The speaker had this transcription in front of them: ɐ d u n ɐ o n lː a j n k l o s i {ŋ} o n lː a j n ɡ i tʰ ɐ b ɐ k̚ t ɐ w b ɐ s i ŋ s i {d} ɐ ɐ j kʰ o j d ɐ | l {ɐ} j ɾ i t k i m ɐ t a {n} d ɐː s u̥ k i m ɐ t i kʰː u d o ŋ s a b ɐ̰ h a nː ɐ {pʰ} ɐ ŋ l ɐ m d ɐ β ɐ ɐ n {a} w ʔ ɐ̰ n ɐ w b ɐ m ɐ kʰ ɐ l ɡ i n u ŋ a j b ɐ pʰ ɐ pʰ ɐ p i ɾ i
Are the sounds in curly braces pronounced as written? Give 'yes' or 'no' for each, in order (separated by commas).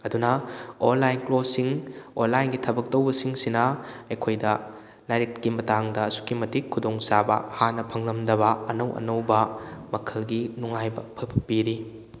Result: yes, no, no, no, yes, no